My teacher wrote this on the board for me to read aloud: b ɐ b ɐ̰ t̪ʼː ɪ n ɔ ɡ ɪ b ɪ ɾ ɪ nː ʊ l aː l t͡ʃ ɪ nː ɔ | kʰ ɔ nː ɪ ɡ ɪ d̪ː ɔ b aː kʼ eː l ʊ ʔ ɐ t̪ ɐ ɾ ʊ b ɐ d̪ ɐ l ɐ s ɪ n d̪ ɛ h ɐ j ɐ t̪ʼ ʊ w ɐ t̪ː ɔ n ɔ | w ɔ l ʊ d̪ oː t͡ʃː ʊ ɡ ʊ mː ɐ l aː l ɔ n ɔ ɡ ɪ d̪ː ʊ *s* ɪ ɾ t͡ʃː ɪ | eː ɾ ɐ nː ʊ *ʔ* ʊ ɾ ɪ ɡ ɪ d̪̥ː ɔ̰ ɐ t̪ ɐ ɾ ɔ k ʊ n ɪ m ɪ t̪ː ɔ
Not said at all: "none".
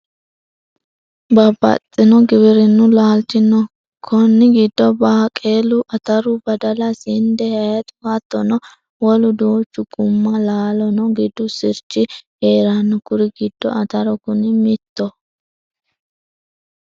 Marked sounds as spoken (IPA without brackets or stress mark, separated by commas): s, k